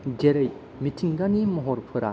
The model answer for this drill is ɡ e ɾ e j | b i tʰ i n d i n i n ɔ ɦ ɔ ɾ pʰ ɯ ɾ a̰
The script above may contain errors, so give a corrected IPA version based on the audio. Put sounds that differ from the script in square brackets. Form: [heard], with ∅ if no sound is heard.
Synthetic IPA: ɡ e ɾ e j | [m] i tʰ i [ŋ] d [a] n i [m] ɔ ɦ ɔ ɾ pʰ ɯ ɾ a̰